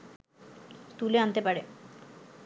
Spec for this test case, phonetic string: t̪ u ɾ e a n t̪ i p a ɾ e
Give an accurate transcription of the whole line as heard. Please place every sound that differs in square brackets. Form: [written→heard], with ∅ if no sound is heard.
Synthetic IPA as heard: t̪ u [ɾ→l] e a n t̪ [i→e] p a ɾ e